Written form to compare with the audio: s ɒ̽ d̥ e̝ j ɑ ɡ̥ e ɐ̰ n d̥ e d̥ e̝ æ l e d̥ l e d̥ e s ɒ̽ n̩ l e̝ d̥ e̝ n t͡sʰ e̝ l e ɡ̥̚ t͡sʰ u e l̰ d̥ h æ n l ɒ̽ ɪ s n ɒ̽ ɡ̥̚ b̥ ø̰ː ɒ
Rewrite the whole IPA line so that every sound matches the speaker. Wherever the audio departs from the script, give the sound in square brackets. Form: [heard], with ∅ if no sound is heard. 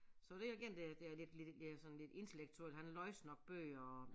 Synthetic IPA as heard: s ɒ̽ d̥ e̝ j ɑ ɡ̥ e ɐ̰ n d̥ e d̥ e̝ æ l e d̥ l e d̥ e s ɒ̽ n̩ l e̝ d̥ e̝ n t͡sʰ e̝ l e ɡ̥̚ t͡sʰ u e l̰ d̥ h æ n l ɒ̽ ɪ s n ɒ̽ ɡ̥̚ b̥ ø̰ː ɒ